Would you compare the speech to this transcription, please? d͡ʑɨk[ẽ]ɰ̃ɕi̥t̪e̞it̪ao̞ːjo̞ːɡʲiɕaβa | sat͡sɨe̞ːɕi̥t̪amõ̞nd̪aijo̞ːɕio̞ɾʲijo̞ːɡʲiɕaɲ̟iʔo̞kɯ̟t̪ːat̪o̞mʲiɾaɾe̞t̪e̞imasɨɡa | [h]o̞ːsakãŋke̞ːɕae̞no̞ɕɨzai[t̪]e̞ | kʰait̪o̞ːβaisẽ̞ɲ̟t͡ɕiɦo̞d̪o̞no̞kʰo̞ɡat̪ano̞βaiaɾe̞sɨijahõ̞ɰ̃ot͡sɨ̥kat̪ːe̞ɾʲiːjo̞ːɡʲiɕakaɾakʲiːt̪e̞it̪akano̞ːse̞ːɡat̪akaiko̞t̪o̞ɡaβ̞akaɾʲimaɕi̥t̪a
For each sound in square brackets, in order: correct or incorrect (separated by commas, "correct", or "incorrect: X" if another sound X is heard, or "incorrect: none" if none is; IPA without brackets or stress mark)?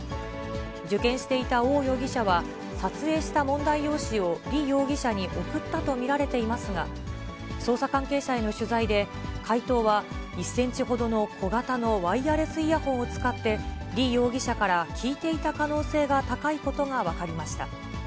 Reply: correct, incorrect: s, incorrect: d̪